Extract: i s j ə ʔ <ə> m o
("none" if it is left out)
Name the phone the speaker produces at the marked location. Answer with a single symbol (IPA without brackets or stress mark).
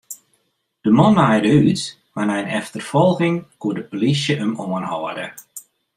ə